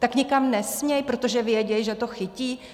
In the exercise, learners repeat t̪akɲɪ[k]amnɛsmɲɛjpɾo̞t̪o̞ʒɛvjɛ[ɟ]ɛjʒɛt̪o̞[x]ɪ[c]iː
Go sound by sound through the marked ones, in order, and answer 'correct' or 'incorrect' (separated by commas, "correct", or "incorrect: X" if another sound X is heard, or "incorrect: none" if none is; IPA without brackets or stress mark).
correct, correct, correct, correct